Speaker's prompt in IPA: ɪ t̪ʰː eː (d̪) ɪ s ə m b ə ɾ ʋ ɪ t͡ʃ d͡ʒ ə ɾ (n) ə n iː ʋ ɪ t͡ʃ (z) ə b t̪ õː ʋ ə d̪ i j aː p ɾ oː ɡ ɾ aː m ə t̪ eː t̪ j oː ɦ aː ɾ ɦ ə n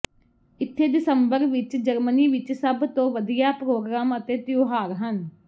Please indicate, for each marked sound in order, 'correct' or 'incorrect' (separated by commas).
correct, incorrect, incorrect